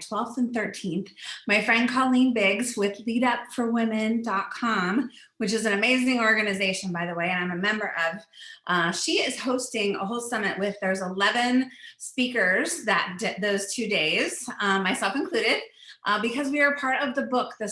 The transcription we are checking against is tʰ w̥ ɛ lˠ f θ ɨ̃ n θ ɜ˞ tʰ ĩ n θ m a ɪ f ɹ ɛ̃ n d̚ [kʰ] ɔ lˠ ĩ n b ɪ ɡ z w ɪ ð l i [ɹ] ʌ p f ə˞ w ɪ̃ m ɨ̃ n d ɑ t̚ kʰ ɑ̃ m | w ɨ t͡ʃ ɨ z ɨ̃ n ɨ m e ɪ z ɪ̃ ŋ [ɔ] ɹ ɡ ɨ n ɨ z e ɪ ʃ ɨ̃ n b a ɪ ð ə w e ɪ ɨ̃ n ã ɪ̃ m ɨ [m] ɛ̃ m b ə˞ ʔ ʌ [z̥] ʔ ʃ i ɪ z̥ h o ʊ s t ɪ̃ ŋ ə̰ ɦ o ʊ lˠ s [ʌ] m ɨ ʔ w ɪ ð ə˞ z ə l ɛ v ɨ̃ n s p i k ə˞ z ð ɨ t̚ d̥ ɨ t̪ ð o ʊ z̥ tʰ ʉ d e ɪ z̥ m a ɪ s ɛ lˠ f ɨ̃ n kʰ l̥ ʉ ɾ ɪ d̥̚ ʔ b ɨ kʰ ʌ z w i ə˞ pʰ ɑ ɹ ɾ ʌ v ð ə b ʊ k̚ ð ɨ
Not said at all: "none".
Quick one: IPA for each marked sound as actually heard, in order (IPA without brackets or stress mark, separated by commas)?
kʰ, ɾ, ɔ, m, v̥, ʌ